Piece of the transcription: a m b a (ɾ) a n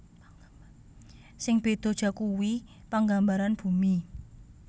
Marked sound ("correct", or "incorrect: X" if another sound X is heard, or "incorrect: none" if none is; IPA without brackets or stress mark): correct